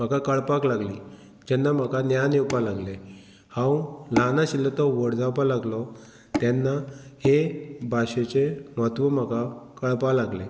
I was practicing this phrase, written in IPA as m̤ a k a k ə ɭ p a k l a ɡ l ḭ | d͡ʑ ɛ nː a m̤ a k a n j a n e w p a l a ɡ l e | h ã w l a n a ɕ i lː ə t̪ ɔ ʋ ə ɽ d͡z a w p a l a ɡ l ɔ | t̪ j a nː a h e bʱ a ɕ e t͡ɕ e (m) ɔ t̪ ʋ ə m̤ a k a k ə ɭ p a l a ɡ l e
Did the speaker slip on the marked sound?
no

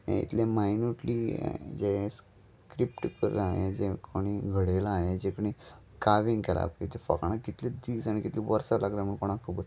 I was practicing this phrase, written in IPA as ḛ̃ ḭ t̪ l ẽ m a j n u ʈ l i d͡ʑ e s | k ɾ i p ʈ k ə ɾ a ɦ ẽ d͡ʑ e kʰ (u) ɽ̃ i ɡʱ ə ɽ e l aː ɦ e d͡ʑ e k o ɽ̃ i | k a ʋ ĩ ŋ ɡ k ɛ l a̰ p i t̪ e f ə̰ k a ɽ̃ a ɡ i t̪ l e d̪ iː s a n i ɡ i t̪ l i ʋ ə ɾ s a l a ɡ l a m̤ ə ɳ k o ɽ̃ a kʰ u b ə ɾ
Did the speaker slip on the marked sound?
yes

